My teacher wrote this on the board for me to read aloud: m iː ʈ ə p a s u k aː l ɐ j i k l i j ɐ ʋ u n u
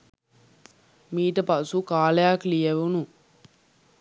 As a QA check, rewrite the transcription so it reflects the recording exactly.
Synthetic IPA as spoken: m iː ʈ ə p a s u k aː l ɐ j a k l i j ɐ ʋ u n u